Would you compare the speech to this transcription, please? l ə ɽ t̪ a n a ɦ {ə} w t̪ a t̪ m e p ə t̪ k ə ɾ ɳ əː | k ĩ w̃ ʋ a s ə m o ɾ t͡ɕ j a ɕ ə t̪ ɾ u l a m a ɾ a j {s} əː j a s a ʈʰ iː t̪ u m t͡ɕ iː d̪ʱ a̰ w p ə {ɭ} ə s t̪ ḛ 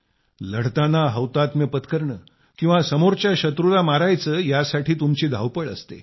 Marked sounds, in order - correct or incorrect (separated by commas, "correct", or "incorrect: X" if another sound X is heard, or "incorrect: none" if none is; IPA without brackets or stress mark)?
correct, incorrect: t͡s, correct